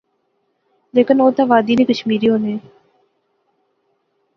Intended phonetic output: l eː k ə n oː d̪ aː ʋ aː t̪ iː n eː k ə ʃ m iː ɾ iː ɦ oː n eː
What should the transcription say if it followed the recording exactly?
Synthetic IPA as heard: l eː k ə n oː t̪ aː ʋ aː d̪ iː n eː k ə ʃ m iː ɾ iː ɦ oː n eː